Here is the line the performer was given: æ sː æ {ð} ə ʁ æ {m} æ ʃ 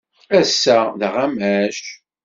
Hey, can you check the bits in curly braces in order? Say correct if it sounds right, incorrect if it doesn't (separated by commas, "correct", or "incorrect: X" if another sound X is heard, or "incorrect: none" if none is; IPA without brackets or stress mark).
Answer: correct, correct